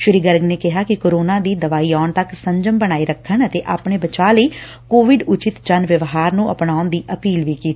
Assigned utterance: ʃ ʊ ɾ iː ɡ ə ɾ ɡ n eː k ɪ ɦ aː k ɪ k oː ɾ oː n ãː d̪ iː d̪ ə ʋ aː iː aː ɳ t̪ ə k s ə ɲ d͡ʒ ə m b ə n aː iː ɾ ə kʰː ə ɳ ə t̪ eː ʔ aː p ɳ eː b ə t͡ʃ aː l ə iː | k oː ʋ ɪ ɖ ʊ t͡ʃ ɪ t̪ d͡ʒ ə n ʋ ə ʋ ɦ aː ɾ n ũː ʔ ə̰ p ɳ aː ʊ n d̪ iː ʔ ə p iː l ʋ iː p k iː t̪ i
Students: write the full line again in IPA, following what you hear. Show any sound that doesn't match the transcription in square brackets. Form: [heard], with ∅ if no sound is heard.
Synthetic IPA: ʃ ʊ ɾ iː ɡ ə ɾ ɡ n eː k ɪ ɦ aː k ɪ k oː ɾ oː n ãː d̪ iː d̪ ə ʋ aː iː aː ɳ t̪ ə k s ə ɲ d͡ʒ ə m b ə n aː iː ɾ ə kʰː ə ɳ ə t̪ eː ʔ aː p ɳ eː b ə t͡ʃ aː l ə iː | k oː ʋ ɪ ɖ ʊ t͡ʃ ɪ t̪ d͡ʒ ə n ʋ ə ʋ ɦ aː ɾ n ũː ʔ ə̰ p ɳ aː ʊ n d̪ iː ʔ ə p iː l ʋ iː [∅] k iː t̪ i